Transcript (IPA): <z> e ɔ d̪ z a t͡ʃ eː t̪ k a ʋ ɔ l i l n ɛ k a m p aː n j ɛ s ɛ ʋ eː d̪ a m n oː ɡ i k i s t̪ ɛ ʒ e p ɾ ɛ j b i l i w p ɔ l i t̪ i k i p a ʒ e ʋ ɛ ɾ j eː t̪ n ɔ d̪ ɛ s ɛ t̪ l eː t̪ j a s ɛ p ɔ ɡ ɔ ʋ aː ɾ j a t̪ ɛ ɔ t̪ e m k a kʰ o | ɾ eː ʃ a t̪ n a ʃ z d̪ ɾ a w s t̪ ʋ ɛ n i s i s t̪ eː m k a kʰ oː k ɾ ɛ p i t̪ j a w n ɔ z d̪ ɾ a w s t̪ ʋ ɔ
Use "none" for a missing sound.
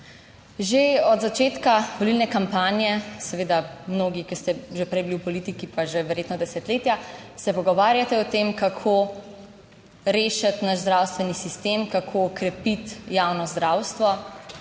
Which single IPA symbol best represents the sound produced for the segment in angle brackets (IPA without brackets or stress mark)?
ʒ